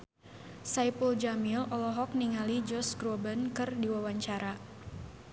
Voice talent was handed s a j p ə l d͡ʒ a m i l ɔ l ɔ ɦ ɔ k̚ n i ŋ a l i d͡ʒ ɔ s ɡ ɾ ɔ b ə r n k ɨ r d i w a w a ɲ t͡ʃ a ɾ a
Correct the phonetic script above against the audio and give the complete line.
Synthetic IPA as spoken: s a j p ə l d͡ʒ a m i l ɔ l ɔ ɦ ɔ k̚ n i ŋ a l i d͡ʒ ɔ s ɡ ɾ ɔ b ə n k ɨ r d i w a w a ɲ t͡ʃ a ɾ a

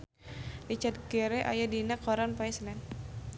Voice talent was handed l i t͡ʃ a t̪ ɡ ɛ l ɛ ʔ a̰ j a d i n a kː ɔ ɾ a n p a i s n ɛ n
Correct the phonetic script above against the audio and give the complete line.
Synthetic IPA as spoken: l i t͡ʃ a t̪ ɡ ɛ ɾ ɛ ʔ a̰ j a d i n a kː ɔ ɾ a n p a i s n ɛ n

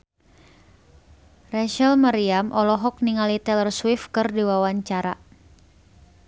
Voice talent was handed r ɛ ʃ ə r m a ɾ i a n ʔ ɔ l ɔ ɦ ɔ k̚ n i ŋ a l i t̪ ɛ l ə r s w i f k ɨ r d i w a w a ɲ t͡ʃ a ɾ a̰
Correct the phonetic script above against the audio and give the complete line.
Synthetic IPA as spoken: r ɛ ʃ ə l m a ɾ i a m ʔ ɔ l ɔ ɦ ɔ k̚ n i ŋ a l i t̪ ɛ l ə r s w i f k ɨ r d i w a w a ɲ t͡ʃ a ɾ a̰

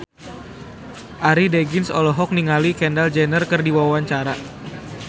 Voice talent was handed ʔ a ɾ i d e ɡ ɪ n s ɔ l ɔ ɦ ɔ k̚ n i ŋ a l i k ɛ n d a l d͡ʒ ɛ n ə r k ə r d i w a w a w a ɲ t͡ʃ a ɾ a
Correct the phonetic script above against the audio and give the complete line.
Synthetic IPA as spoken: ʔ a ɾ i d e ɡ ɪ n s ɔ l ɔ ɦ ɔ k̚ n i ŋ a l i k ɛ n d a l d͡ʒ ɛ n ə r k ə r d i w a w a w a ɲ t͡ʃ a ɾ a

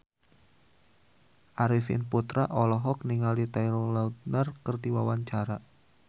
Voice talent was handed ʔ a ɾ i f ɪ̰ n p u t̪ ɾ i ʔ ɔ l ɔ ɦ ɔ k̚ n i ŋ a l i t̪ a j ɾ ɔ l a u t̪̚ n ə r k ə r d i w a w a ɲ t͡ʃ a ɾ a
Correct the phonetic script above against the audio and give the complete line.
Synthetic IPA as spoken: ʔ a ɾ i f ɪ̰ n p u t̪ ɾ a ʔ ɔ l ɔ ɦ ɔ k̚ n i ŋ a l i t̪ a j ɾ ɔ l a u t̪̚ n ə r k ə r d i w a w a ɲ t͡ʃ a ɾ a

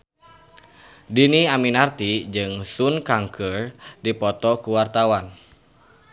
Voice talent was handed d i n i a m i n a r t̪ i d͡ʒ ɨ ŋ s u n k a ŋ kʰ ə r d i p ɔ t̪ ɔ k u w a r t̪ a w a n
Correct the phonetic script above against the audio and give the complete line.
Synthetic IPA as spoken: d i n i a m i n a r t̪ i d͡ʒ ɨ ŋ s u n k a ŋ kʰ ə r d i p ɔ t̪ ɔ k u w a r t̪ a w a n

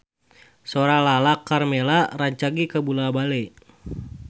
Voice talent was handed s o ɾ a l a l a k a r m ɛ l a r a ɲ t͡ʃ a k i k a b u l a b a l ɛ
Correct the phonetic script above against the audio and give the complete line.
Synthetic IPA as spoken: s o ɾ a l a l a k a r m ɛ l a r a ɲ t͡ʃ a ɡ i k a b u l a b a l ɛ

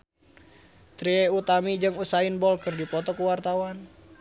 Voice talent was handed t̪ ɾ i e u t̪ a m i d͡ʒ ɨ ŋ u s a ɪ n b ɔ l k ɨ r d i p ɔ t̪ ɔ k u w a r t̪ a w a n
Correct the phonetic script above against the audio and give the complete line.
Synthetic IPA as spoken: t̪ ɾ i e u t̪ a m i d͡ʒ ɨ ŋ u s a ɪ n b ɔ l k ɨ r d i p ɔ t̪ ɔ k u w a r t̪ a w a n

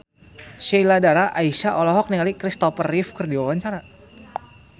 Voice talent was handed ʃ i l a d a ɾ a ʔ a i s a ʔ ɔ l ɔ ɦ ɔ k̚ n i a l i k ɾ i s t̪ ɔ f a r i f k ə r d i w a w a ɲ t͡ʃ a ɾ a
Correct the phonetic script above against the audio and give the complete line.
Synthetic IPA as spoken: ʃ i l a d a ɾ a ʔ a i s a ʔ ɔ l ɔ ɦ ɔ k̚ n i a l i k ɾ i s t̪ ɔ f ə r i f k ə r d i w a w a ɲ t͡ʃ a ɾ a

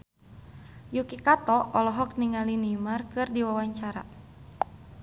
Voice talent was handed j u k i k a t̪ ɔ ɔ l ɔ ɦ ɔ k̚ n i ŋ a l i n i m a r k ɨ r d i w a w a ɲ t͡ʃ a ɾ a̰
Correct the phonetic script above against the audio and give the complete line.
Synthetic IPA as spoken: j u k i k a t̪ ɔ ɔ l ɔ ɦ ɔ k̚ n i ŋ a l i n i m a r k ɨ r d i w a w a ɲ t͡ʃ a ɾ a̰

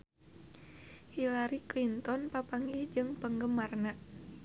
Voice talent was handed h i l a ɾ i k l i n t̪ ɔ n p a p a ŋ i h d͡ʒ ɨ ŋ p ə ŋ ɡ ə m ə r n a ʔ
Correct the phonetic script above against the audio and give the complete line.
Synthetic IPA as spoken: h i l a ɾ i k l i n t̪ ɔ n p a p a ŋ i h d͡ʒ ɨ ŋ p ə ŋ ɡ ə m a r n a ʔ

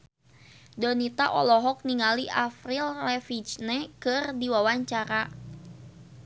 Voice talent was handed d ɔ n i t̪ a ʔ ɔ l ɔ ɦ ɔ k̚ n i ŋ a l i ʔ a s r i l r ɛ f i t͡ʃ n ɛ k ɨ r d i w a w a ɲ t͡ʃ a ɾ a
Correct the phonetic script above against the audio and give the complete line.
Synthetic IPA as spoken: d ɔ n i t̪ a ʔ ɔ l ɔ ɦ ɔ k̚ n i ŋ a l i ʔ a f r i l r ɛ f i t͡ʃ n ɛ k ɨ r d i w a w a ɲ t͡ʃ a ɾ a

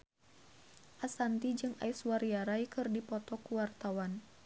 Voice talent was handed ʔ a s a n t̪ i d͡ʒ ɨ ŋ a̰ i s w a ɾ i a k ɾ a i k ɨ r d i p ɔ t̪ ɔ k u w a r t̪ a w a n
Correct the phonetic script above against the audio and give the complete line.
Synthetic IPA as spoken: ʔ a s a n t̪ i d͡ʒ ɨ ŋ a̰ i s w a ɾ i a ɾ a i k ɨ r d i p ɔ t̪ ɔ k u w a r t̪ a w a n

